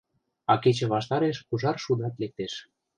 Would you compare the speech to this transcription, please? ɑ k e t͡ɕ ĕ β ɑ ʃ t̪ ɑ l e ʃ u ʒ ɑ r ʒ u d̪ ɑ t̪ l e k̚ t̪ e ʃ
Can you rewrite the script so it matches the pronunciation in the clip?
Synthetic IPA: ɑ k e t͡ɕ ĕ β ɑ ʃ t̪ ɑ ɾ e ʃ u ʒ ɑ r ʃ u d̪ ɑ t̪ l e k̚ t̪ e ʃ

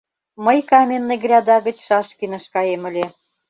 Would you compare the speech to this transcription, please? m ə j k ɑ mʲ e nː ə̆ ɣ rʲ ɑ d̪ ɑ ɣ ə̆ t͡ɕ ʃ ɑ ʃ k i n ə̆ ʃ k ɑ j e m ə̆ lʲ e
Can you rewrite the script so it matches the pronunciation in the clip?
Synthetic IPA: m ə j k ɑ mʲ e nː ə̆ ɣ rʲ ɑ d̪ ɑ ɣ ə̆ t͡ɕ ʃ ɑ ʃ k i n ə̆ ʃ k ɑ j e m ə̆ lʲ e

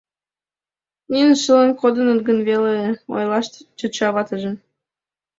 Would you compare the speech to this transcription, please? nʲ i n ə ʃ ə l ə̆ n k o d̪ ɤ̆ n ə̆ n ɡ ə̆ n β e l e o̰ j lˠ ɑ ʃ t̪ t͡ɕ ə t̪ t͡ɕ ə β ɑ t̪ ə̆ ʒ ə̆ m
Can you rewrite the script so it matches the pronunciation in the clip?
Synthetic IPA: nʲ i n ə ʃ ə l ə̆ n k o d̪ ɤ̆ n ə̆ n ɡ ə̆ n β e l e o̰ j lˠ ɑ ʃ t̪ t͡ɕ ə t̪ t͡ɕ ɑ β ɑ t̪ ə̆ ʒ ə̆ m

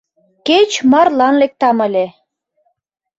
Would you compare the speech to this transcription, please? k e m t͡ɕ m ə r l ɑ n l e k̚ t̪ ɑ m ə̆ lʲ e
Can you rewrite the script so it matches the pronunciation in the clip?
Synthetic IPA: k e t͡ɕ m ɑ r l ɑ n l e k̚ t̪ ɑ m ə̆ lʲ e

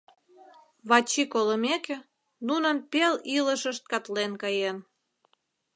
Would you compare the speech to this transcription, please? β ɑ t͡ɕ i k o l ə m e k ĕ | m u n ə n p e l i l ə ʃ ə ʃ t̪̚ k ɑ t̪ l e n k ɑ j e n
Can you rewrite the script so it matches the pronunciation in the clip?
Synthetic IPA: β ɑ t͡ɕ i k o l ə m e k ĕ | n u n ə n p e l i l ə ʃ ə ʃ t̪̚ k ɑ t̪ l e n k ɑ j e n

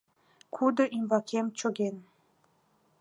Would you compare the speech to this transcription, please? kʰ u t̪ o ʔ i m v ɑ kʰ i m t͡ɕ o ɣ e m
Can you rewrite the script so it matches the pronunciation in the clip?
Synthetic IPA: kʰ u d̪ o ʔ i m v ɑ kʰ e m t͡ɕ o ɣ e n

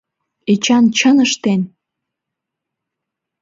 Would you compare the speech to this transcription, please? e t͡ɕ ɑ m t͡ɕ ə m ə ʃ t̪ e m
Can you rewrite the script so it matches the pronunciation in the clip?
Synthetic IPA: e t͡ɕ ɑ n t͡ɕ ə n ə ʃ t̪ e n

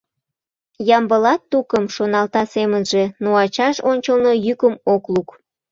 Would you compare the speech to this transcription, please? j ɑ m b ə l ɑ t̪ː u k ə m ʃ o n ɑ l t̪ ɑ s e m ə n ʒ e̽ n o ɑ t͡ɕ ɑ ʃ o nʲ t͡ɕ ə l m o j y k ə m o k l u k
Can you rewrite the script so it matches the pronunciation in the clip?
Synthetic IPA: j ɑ m b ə l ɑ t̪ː u k ə m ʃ o n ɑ l t̪ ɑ s e m ə n ʒ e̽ n o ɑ t͡ɕ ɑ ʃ o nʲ t͡ɕ ə l n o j y k ə m o k l u k

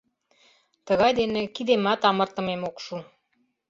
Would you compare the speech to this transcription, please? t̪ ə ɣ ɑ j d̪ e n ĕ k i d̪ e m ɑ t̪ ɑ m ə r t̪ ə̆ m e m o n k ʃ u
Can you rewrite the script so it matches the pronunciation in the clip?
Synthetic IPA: t̪ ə ɣ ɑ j d̪ e n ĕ k i d̪ e m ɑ t̪ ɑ m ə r t̪ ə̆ m e m o k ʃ u

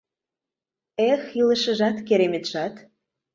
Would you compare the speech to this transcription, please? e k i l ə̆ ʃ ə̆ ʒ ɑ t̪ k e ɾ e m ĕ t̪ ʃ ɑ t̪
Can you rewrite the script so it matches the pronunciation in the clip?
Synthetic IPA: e x i l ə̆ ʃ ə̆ ʒ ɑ t̪ k e ɾ e m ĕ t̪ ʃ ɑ t̪

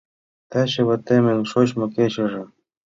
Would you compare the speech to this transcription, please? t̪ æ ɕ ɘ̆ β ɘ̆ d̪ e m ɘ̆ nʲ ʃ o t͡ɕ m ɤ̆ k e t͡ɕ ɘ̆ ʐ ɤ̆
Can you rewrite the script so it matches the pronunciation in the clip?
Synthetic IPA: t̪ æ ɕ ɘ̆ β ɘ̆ t̪ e m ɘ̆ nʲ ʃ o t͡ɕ m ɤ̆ k e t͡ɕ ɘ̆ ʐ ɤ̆

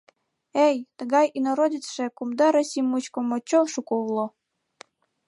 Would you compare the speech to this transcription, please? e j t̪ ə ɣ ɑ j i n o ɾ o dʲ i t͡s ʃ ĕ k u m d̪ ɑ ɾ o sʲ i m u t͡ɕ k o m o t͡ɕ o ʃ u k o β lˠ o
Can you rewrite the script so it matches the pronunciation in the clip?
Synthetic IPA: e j t̪ ə ɣ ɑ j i n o ɾ o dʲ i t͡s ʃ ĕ k u m d̪ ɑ ɾ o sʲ i m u t͡ɕ k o m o t͡ɕ o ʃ u k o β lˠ o

